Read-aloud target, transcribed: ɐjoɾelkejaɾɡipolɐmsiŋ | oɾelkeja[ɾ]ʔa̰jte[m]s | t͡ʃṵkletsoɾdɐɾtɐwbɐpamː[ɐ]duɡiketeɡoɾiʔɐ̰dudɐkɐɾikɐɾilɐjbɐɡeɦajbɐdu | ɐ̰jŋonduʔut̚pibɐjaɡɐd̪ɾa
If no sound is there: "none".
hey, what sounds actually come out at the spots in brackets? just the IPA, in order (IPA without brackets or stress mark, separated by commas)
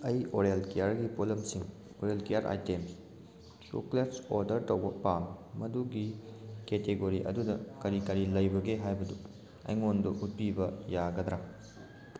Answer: ɾ, m, ɐ